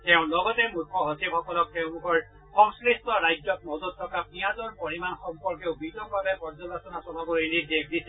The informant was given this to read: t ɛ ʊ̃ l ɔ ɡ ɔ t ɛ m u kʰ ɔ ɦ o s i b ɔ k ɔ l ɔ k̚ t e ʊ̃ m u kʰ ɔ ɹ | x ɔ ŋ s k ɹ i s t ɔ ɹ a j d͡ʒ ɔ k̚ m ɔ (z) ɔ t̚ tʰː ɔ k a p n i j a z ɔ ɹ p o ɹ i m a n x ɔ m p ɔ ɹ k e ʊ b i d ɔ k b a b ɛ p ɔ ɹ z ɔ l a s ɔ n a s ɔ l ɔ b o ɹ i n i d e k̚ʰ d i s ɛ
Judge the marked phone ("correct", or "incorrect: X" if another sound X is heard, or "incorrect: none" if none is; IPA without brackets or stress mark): correct